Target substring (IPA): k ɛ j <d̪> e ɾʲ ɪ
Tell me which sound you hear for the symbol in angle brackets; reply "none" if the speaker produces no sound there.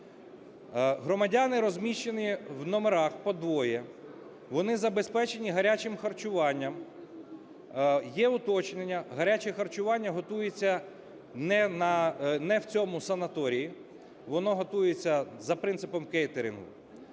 t̪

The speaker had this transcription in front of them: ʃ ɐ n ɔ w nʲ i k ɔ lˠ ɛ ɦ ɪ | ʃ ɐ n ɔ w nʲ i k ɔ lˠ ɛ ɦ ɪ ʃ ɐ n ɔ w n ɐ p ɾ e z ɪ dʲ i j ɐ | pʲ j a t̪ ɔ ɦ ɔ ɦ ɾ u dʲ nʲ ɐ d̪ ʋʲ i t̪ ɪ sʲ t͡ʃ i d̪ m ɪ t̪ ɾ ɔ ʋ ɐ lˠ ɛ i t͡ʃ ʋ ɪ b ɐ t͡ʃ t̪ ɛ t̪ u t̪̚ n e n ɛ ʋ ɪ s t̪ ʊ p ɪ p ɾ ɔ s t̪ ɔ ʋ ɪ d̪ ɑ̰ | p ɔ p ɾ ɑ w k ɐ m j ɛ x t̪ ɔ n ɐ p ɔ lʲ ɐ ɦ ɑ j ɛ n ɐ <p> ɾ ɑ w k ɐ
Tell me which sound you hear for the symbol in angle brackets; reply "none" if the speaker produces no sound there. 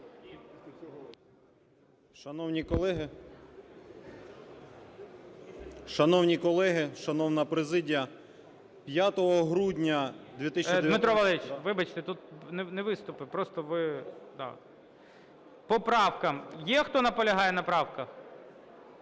p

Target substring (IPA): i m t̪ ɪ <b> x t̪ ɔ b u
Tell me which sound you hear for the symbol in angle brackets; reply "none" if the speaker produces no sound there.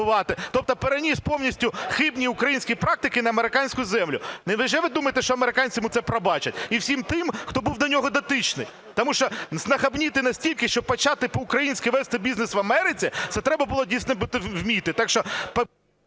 m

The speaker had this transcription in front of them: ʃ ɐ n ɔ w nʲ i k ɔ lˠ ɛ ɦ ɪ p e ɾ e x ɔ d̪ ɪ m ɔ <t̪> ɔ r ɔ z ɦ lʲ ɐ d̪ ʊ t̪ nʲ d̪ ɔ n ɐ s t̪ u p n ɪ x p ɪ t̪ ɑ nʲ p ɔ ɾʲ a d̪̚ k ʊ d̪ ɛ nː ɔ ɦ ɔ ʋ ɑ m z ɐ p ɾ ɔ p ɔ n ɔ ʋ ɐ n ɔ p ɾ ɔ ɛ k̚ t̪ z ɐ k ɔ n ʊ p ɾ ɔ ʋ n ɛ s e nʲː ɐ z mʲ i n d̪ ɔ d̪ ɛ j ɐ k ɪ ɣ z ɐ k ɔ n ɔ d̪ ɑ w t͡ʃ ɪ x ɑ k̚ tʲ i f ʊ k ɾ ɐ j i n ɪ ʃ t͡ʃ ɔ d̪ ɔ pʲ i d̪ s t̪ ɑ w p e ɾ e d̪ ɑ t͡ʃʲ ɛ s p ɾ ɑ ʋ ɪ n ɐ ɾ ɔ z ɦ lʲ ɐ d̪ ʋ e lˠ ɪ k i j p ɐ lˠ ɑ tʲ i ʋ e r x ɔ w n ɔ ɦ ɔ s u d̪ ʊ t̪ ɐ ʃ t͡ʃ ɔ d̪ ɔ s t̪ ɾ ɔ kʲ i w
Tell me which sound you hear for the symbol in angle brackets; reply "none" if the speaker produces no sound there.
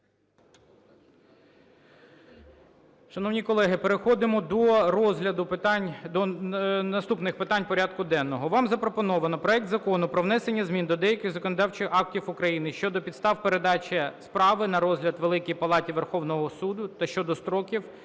d̪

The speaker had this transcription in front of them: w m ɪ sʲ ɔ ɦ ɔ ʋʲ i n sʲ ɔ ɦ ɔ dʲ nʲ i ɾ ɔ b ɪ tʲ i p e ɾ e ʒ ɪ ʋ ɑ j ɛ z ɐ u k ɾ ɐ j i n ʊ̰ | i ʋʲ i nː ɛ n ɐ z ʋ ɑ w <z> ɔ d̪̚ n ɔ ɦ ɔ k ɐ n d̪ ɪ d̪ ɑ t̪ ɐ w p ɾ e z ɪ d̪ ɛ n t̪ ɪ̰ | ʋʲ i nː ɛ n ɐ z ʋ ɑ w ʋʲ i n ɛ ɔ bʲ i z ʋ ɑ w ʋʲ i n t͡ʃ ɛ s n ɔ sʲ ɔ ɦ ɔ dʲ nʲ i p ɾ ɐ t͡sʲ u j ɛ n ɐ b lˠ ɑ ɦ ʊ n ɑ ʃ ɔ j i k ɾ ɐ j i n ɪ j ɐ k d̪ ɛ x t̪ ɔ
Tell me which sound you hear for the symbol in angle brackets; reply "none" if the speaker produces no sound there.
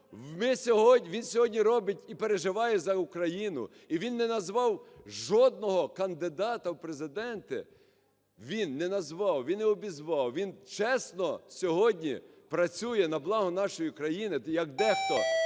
ʒ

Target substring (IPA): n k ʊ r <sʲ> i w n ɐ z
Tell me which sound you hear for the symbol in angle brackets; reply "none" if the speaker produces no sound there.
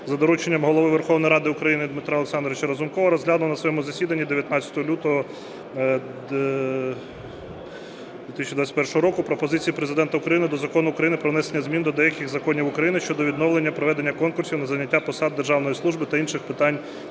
sʲ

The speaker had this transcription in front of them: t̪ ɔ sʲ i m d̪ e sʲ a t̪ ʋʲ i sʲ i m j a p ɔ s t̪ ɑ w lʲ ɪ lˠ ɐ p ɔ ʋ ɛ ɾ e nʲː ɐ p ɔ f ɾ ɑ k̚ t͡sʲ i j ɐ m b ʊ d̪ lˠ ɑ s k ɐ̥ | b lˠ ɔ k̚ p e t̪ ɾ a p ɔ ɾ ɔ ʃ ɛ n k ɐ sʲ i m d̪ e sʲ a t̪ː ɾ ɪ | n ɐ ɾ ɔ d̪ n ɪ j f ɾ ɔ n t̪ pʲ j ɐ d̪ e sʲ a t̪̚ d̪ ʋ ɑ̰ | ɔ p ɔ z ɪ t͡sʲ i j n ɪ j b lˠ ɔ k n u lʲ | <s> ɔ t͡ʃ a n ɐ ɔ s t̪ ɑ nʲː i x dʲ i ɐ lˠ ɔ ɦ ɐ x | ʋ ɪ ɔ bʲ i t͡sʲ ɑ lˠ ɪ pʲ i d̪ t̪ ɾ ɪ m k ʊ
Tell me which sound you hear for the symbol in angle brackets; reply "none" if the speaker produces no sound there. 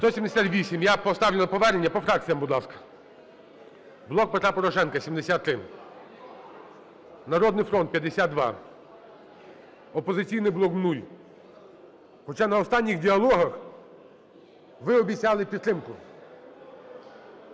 x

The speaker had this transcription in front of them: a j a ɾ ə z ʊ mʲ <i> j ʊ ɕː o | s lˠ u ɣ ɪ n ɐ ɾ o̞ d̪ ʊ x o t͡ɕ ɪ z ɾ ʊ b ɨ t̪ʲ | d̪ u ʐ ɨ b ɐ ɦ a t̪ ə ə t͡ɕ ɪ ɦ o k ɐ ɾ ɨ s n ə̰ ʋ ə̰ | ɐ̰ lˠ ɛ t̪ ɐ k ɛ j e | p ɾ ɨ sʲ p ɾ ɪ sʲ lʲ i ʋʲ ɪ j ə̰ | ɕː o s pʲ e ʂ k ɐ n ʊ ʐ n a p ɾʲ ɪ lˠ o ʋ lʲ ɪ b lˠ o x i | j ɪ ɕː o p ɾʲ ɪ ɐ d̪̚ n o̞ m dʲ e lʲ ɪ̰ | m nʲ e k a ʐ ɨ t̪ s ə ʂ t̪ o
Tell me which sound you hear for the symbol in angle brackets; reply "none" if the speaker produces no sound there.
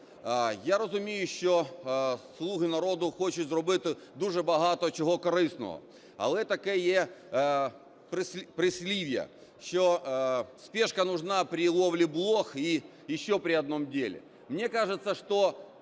e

